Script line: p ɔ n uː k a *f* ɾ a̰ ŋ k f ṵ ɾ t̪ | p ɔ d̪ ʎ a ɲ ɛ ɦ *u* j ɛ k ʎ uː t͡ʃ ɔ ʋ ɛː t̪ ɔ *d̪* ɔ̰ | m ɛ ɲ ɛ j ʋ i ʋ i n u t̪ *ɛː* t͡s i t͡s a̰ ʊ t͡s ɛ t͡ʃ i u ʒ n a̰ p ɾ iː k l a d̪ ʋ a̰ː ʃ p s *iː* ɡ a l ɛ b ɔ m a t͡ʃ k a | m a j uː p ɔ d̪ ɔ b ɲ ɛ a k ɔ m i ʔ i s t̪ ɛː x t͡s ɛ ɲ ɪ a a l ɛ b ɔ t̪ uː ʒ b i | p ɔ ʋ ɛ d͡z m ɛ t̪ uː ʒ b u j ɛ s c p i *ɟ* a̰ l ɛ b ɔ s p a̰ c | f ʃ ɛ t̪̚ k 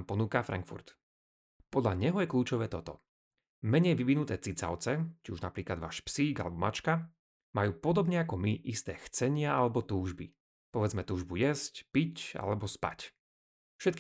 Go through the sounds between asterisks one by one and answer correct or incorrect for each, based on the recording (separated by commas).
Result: correct, incorrect, incorrect, correct, correct, incorrect